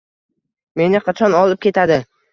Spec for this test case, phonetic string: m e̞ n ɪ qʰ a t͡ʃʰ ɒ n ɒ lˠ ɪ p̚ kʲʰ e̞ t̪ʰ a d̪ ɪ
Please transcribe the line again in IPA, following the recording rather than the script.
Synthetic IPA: m e̞ n ɪ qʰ ɑ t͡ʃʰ ɒ n ɒ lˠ ɪ p̚ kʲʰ e̞ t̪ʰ a d̪ ɪ